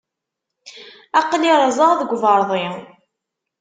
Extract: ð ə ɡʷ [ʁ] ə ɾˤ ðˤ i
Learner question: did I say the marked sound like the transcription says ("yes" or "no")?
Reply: no